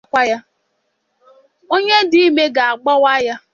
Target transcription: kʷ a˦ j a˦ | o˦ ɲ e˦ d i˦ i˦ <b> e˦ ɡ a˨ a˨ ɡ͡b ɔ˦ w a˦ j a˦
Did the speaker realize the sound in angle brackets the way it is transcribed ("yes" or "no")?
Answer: no